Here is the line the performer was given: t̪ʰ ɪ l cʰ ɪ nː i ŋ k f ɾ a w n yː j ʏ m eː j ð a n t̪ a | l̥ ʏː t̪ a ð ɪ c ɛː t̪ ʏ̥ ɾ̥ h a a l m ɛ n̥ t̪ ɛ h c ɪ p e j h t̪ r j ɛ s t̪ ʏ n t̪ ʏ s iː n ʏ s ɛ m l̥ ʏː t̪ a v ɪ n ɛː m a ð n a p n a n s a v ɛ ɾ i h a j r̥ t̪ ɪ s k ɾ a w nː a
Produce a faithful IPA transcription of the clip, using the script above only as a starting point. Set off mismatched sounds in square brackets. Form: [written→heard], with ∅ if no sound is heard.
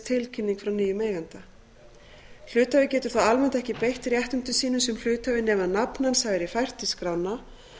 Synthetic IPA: t̪ʰ ɪ l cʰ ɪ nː i ŋ k f ɾ a w n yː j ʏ m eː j [ð→ɣ] a n t̪ a | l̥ ʏː t̪ a [ð→v] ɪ c ɛː t̪ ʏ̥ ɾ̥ [h→θ] a a l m ɛ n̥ t̪ ɛ h c ɪ p e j h t̪ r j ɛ [s→h] t̪ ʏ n t̪ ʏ s iː n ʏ s ɛ m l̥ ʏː t̪ a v ɪ n ɛː m a ð n a p n a n s a v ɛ ɾ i [h→f] a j r̥ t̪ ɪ s k ɾ a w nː a